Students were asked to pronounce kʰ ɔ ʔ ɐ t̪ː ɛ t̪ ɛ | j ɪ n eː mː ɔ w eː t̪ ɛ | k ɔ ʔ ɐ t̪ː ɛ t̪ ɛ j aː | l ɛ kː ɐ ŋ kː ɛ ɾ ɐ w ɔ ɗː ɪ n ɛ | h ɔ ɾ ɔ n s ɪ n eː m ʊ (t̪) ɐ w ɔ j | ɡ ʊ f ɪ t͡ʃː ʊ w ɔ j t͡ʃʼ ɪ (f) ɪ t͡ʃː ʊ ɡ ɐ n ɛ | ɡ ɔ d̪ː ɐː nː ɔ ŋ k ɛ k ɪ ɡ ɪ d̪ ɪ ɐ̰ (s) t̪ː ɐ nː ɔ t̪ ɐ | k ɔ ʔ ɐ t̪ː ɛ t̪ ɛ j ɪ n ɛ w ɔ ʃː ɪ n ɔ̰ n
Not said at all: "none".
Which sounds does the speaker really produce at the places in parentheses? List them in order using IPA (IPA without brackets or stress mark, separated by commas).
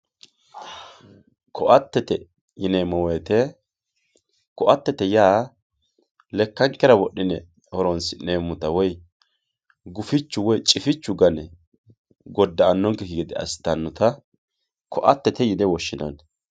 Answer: t̪, f, s